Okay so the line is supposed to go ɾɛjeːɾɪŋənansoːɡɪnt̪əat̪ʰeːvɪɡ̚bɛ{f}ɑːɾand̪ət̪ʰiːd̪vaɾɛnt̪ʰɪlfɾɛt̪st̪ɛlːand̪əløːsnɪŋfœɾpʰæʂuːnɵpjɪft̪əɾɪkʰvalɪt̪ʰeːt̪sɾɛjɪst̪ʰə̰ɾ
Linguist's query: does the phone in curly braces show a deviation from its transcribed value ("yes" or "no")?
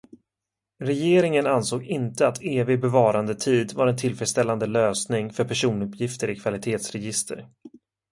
yes